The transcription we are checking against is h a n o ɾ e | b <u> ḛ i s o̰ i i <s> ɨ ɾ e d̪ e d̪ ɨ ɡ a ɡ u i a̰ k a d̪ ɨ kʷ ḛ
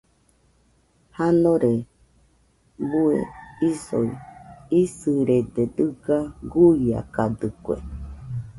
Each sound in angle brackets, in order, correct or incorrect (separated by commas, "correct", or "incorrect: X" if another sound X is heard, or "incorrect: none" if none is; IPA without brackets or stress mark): correct, correct